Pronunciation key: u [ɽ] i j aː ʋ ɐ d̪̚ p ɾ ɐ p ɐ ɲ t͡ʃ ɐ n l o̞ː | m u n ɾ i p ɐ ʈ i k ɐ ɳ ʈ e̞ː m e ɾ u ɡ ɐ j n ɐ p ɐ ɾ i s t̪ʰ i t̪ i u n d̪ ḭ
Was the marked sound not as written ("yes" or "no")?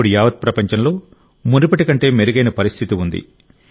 no